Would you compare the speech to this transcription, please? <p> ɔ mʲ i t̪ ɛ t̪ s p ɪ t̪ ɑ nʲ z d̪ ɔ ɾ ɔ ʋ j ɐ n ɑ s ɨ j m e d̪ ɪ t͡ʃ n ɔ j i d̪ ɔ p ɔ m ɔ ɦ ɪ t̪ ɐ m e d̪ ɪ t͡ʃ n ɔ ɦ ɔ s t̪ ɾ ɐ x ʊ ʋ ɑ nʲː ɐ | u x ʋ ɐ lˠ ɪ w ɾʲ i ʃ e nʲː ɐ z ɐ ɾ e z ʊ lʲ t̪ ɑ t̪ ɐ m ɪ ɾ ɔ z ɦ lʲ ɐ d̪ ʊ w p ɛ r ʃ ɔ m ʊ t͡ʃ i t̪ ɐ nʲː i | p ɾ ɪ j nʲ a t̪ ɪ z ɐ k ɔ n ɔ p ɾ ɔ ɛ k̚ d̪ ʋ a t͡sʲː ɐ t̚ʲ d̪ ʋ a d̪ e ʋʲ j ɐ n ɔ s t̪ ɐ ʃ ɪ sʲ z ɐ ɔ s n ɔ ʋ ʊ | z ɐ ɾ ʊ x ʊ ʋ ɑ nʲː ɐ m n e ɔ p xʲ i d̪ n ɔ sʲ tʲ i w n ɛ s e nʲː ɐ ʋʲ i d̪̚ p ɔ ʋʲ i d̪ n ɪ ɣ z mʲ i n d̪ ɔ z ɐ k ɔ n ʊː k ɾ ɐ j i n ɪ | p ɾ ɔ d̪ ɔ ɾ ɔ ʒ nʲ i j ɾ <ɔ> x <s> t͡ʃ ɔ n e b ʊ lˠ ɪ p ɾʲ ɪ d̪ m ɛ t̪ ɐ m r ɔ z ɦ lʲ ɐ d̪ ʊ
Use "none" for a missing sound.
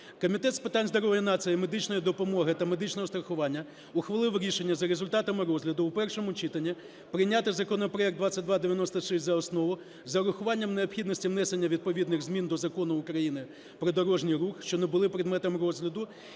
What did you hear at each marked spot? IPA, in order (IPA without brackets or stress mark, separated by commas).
k, u, ʃ